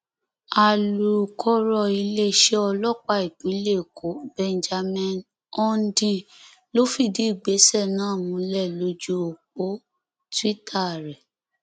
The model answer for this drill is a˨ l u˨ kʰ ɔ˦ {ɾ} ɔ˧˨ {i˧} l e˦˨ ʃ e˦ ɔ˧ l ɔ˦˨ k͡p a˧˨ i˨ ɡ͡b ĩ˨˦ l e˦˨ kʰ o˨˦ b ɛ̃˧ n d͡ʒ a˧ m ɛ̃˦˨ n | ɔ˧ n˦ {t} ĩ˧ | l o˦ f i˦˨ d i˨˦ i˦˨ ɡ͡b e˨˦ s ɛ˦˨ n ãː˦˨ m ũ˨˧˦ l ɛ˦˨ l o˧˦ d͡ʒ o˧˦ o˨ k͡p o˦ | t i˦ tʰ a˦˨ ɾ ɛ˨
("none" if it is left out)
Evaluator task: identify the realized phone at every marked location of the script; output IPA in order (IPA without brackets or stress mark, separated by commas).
ɾ, i˧, d